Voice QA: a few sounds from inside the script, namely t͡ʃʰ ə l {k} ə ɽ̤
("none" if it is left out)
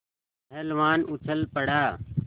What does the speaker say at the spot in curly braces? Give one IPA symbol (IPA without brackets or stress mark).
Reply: p